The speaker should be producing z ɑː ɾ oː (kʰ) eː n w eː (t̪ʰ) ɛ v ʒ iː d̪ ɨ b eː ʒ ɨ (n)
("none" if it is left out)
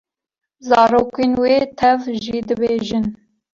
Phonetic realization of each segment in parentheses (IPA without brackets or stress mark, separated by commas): k, t̪ʰ, n